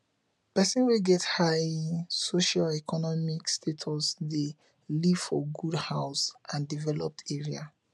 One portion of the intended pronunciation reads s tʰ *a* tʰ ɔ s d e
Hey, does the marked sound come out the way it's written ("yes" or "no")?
no